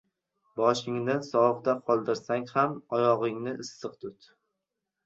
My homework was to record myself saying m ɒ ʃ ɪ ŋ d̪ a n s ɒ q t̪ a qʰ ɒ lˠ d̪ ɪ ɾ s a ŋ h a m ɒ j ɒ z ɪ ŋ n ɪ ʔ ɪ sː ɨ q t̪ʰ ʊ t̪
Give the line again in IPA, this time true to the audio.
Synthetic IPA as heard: b ɒ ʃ ɪ ŋ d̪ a n s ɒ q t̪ a qʰ ɒ lˠ d̪ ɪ ɾ s a ŋ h a m ɒ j ɒ ʁ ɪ ŋ n ɪ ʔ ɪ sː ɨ q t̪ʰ ʊ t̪